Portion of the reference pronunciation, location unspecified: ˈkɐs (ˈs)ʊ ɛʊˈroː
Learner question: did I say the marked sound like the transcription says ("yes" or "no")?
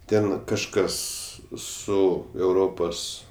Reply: yes